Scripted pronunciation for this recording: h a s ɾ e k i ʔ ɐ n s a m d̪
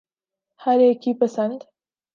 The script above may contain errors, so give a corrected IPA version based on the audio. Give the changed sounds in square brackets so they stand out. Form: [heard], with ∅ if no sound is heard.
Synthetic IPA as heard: h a [∅] ɾ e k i [p] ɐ [∅] s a [n] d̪